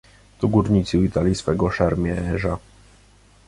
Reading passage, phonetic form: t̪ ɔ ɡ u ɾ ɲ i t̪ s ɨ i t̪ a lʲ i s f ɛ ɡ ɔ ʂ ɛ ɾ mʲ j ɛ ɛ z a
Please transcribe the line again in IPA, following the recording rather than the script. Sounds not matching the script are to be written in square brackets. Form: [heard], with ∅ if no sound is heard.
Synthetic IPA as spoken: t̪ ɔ ɡ u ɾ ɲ i t̪ s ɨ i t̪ a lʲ i s f ɛ ɡ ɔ ʂ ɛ ɾ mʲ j ɛ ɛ [ʐ] a

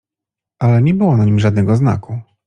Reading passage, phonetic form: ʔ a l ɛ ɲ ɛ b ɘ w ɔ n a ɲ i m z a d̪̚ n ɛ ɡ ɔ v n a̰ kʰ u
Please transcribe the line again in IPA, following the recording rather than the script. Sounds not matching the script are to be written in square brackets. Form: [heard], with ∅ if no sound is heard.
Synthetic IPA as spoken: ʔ a l ɛ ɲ ɛ b ɘ w ɔ n a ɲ i m [ʐ] a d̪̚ n ɛ ɡ ɔ [z] n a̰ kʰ u

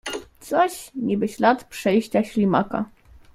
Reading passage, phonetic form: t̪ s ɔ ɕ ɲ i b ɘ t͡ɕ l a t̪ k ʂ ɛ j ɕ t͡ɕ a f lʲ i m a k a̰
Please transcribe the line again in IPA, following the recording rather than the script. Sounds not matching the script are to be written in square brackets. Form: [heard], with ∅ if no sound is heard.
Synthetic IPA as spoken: t̪ s ɔ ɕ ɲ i b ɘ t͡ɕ l a t̪ [p] ʂ ɛ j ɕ t͡ɕ a [ɕ] lʲ i m a k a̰

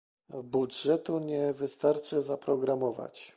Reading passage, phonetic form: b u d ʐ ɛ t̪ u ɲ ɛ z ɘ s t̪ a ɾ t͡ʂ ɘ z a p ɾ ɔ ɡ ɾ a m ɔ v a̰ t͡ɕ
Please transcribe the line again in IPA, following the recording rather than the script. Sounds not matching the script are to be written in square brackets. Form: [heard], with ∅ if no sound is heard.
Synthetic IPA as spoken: b u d ʐ ɛ t̪ u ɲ ɛ [v] ɘ s t̪ a ɾ t͡ʂ ɘ z a p ɾ ɔ ɡ ɾ a m ɔ v a̰ t͡ɕ

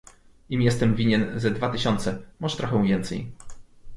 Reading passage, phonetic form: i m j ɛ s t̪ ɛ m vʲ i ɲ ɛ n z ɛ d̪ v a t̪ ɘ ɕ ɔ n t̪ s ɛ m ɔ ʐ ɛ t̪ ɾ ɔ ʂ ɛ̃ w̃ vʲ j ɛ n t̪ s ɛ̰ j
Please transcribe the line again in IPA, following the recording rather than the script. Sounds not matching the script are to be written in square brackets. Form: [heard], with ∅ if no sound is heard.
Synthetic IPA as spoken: i m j ɛ s t̪ ɛ m vʲ i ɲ ɛ n z ɛ d̪ v a t̪ ɘ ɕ ɔ n t̪ s ɛ m ɔ ʐ ɛ t̪ ɾ ɔ [x] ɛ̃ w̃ vʲ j ɛ n t̪ s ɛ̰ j

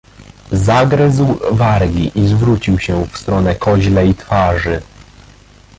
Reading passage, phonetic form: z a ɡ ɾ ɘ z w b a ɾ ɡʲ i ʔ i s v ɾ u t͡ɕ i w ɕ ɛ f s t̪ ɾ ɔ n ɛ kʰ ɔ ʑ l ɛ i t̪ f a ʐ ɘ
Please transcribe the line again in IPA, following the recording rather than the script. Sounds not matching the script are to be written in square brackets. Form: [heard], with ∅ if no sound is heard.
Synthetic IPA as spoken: z a ɡ ɾ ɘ z w [v] a ɾ ɡʲ i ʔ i [z] v ɾ u t͡ɕ i w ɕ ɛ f s t̪ ɾ ɔ n ɛ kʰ ɔ ʑ l ɛ i t̪ f a ʐ ɘ

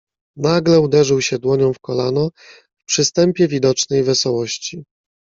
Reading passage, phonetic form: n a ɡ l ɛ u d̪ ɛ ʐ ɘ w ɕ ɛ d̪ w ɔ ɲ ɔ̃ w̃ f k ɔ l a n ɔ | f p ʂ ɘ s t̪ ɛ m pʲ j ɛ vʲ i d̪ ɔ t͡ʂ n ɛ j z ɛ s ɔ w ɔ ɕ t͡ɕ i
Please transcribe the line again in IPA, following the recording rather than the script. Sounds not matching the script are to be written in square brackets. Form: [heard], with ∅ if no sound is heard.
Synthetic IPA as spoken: n a ɡ l ɛ u d̪ ɛ ʐ ɘ w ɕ ɛ d̪ w ɔ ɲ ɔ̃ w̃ f k ɔ l a n ɔ | f p ʂ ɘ s t̪ ɛ m pʲ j ɛ vʲ i d̪ ɔ t͡ʂ n ɛ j [v] ɛ s ɔ w ɔ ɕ t͡ɕ i

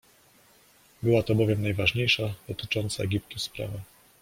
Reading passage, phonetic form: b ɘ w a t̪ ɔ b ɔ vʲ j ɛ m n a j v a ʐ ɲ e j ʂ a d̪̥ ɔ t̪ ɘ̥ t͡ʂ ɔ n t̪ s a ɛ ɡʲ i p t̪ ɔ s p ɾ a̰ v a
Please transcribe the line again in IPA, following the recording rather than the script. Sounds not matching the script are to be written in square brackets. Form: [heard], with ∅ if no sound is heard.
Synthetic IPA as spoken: b ɘ w a t̪ ɔ b ɔ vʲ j ɛ m n a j v a ʐ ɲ e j ʂ a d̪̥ ɔ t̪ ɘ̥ t͡ʂ ɔ n t̪ s a ɛ ɡʲ i p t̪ [u] s p ɾ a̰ v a

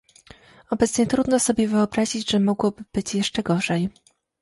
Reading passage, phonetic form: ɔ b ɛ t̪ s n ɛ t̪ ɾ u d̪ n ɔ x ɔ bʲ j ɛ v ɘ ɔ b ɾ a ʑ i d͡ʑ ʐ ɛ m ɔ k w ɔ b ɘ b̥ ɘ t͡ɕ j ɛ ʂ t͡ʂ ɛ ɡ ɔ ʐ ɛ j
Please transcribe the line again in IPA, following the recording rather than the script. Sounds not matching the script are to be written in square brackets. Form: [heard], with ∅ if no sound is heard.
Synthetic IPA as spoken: ɔ b ɛ t̪ s [ɲ] ɛ t̪ ɾ u d̪ n ɔ [s] ɔ bʲ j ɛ v ɘ ɔ b ɾ a ʑ i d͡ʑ ʐ ɛ m ɔ [ɡ] w ɔ b ɘ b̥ ɘ t͡ɕ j ɛ ʂ t͡ʂ ɛ ɡ ɔ ʐ ɛ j

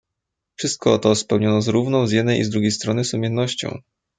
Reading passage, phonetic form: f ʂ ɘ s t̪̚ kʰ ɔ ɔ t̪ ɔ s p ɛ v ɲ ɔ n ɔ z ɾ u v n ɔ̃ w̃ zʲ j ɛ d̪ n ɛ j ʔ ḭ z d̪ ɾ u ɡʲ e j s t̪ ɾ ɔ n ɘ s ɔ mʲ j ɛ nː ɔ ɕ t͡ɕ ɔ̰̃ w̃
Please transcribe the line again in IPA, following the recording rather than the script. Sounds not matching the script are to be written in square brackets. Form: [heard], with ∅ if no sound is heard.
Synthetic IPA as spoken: f ʂ ɘ s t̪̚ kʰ ɔ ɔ t̪ ɔ s p ɛ [w] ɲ ɔ n ɔ z ɾ u v n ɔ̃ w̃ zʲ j ɛ d̪ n ɛ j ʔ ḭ z d̪ ɾ u ɡʲ e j s t̪ ɾ ɔ n ɘ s [u] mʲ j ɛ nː ɔ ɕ t͡ɕ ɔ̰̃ w̃

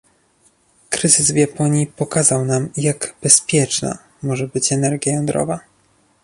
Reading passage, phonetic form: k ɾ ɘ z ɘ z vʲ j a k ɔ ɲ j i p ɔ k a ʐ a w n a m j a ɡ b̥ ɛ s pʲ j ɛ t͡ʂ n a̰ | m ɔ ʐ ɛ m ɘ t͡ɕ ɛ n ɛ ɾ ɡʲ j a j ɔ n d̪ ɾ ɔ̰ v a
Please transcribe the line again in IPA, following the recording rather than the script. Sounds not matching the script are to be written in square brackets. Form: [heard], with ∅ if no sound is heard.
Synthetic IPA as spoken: k ɾ ɘ z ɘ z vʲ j a [p] ɔ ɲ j i p ɔ k a [z] a w n a m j a ɡ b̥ ɛ s pʲ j ɛ t͡ʂ n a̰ | m ɔ ʐ ɛ [b] ɘ t͡ɕ ɛ n ɛ ɾ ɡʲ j a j ɔ n d̪ ɾ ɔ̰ v a

